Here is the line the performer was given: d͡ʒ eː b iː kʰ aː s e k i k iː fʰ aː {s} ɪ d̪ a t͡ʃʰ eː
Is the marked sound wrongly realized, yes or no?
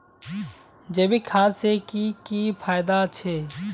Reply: yes